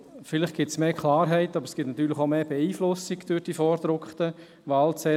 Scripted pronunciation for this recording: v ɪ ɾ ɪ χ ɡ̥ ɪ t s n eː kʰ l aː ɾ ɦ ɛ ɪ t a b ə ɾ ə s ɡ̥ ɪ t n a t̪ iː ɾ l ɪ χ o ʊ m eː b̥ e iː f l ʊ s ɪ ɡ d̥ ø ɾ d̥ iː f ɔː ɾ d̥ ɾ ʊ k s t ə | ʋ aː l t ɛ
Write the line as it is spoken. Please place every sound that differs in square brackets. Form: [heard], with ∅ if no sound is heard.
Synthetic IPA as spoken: [f] ɪ [l] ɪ χ ɡ̥ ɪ t s [m] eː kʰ l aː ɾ ɦ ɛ ɪ t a b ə ɾ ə s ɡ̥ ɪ t n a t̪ [yː] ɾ l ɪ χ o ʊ m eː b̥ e iː f l ʊ s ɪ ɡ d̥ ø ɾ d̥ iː f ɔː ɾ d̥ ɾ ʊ k [χ] t ə | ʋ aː l [t͡s] ɛ